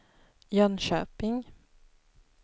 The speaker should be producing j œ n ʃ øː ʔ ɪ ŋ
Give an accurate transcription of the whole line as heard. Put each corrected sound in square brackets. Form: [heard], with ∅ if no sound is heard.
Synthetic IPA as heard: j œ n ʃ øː [p] ɪ ŋ